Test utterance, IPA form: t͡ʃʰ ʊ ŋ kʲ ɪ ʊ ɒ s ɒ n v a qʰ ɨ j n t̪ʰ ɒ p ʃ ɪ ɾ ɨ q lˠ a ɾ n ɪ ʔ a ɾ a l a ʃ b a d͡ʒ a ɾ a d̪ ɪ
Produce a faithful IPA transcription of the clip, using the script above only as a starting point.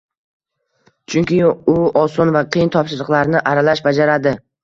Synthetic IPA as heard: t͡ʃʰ ʊ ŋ kʲ ɪ ʊ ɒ s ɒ n v a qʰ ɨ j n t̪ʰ ɒ p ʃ ɪ ɾ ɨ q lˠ a ɾ n ɪ ʔ a ɾ a l a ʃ b a d͡ʒ a ɾ a d̪ ɪ